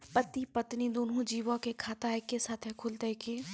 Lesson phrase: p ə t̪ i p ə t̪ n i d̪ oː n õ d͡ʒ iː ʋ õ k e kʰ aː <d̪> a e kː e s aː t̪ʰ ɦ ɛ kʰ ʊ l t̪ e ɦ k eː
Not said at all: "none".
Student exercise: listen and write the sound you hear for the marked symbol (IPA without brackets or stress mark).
t̪